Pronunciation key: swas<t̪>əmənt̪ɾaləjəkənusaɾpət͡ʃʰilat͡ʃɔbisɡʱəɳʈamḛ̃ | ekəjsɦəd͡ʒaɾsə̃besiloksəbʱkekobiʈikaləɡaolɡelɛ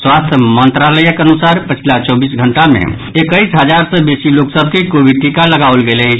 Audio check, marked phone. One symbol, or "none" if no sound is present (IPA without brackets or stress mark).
t̪ʰ